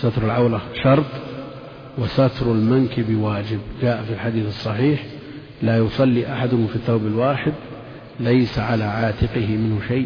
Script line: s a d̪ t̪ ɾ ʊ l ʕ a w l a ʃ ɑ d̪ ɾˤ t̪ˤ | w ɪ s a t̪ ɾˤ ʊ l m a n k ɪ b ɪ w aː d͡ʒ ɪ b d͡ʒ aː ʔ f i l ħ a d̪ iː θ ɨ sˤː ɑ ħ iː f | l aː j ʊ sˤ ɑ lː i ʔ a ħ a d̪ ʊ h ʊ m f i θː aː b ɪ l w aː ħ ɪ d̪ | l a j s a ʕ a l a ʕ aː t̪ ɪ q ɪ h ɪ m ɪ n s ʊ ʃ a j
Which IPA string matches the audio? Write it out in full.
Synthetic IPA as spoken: s a t̪ ɾ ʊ l ʕ a w l a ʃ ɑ ɾˤ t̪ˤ | w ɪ s a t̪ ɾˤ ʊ l m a n k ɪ b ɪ w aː d͡ʒ ɪ b d͡ʒ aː ʔ f i l ħ a d̪ iː θ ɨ sˤː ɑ ħ iː ħ | l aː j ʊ sˤ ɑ lː i ʔ a ħ a d̪ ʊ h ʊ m f i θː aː b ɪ l w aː ħ ɪ d̪ | l a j s a ʕ a l a ʕ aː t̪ ɪ q ɪ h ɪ m ɪ n h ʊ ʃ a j